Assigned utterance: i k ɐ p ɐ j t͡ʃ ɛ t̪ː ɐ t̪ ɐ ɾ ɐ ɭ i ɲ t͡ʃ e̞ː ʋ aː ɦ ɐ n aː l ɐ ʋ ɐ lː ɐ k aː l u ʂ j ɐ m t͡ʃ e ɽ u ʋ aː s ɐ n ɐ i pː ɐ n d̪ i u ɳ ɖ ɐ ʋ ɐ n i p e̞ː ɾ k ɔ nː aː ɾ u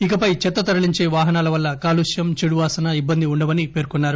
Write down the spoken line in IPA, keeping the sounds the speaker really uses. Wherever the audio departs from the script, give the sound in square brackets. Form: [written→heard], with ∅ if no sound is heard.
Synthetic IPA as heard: i k ɐ p ɐ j t͡ʃ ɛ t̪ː ɐ t̪ ɐ ɾ ɐ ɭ i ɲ t͡ʃ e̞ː ʋ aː ɦ ɐ n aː l ɐ ʋ ɐ lː ɐ k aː l u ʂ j ɐ m t͡ʃ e ɽ u ʋ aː s ɐ n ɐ i [pː→bː] ɐ n d̪ i u ɳ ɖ ɐ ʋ ɐ n i p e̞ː ɾ k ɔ nː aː ɾ u